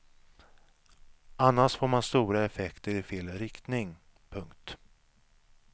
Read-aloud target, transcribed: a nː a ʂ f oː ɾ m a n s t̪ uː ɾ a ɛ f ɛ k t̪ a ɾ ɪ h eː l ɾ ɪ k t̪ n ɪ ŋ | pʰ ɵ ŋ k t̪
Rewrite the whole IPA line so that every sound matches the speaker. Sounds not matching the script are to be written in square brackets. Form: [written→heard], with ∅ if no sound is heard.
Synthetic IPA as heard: a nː a ʂ f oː ɾ m a n s t̪ uː ɾ a ɛ f ɛ k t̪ [a→ə] ɾ ɪ [h→f] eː l ɾ ɪ k t̪ n ɪ ŋ | pʰ ɵ ŋ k t̪